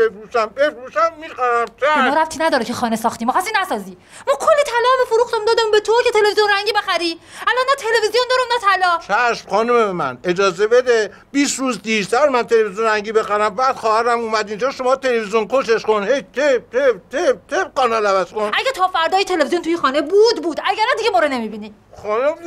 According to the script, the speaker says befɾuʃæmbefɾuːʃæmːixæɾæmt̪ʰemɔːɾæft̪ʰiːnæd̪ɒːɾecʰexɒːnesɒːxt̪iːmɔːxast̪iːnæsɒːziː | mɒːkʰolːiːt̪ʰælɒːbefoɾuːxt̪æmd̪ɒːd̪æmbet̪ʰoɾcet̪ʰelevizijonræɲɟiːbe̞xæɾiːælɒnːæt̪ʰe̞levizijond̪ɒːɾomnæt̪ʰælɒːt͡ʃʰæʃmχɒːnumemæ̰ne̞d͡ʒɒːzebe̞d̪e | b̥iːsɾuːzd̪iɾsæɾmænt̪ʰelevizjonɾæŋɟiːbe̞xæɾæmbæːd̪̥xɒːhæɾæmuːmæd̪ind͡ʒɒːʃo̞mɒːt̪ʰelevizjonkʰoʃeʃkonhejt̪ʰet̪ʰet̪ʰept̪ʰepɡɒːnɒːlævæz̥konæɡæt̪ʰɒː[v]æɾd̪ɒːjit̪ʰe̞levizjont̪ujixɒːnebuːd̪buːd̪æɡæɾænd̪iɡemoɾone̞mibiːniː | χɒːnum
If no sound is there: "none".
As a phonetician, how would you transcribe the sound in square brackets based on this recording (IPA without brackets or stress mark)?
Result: f